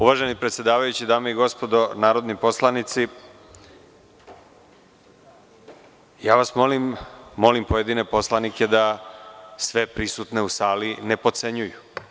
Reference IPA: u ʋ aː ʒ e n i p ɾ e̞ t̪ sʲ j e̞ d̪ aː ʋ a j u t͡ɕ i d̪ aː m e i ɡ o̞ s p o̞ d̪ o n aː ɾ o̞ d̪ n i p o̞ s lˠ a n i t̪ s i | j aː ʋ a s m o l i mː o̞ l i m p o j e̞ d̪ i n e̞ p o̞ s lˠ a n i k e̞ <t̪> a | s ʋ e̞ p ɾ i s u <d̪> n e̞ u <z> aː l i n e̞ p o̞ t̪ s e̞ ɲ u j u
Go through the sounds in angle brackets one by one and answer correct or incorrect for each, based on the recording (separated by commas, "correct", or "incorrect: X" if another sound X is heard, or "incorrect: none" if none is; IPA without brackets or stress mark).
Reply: incorrect: d̪, incorrect: t̪, incorrect: s